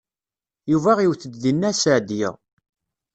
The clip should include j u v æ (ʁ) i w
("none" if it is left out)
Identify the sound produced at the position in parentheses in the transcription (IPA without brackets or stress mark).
ʁ